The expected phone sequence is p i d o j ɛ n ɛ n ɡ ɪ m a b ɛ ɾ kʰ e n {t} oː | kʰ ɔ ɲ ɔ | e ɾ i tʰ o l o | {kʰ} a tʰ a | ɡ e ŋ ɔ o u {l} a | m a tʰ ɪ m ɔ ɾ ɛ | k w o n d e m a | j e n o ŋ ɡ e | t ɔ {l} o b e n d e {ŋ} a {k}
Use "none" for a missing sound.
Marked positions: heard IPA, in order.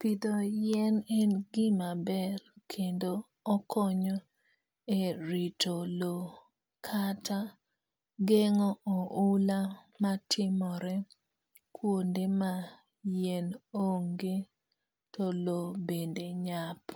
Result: d, kʰ, l, l, ɲ, p

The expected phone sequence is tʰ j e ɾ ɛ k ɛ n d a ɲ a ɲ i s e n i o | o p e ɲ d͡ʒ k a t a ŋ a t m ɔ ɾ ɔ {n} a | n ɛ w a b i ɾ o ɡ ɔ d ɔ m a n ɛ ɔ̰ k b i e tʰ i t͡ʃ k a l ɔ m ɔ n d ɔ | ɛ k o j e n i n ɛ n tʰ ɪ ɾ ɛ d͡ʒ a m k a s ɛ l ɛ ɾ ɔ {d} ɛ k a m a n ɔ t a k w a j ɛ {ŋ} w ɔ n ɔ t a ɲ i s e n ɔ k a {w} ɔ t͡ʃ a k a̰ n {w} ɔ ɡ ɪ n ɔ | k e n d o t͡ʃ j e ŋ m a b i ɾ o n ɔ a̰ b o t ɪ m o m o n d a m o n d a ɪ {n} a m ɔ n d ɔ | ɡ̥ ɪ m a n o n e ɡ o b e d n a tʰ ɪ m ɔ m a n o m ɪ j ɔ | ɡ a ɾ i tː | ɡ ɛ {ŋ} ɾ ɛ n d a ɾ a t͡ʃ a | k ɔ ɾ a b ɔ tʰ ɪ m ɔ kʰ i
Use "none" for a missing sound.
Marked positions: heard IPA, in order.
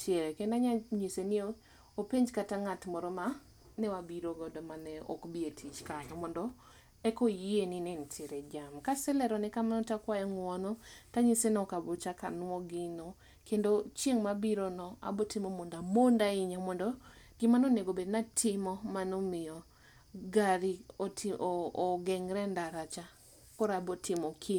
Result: m, n, ŋ, b, w, ɲ, ŋ

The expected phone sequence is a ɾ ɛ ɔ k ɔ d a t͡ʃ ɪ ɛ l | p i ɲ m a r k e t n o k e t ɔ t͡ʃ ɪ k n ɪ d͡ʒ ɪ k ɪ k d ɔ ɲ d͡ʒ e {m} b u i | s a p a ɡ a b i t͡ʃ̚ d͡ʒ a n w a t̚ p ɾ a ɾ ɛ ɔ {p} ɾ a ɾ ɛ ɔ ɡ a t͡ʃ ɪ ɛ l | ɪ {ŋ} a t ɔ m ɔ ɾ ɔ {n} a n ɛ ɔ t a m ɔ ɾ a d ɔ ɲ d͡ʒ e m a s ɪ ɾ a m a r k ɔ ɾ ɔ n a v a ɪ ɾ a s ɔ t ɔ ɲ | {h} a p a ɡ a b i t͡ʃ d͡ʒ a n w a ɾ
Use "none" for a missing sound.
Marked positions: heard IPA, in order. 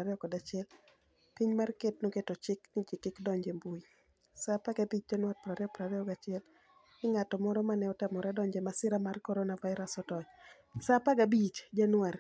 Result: m, p, ŋ, m, s

